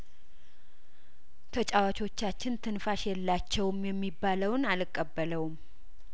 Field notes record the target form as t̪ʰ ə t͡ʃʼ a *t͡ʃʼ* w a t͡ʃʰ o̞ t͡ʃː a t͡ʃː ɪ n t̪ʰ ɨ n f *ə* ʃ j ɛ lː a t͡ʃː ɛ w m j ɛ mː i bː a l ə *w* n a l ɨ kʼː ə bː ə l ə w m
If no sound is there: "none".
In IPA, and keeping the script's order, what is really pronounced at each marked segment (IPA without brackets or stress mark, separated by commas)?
none, a, w